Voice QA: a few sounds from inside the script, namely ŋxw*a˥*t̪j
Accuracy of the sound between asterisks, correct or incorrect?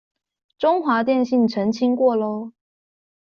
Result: incorrect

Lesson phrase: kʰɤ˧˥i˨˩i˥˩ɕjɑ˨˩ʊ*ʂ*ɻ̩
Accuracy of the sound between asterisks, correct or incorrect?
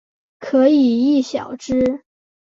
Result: incorrect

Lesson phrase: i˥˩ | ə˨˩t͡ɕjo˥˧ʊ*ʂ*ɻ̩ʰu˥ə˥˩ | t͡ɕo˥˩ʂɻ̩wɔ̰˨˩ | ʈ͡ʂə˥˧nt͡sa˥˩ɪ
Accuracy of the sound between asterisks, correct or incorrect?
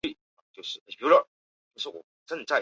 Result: correct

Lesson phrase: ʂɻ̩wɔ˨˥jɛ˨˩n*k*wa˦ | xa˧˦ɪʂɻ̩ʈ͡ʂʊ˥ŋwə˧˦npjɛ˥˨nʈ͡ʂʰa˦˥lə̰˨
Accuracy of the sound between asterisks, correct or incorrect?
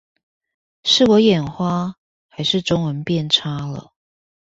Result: incorrect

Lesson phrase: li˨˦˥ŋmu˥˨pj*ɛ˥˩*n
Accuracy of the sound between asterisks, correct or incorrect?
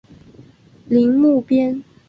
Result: incorrect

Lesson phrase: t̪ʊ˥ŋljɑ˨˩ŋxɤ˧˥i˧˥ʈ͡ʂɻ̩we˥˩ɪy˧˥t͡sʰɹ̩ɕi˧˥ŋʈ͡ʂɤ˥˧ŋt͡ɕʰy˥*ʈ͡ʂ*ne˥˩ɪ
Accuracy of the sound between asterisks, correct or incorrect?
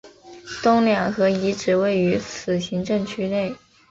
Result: incorrect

